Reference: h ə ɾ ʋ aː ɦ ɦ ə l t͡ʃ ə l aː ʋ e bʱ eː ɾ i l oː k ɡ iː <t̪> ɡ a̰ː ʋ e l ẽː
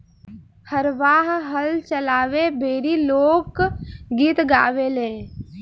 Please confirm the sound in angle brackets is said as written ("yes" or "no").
yes